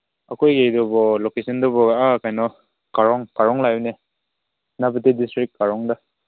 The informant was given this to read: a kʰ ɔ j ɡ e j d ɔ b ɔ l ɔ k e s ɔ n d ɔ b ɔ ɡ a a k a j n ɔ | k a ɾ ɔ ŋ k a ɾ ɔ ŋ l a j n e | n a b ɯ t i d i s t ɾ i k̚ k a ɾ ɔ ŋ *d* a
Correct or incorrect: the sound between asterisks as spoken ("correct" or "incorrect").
correct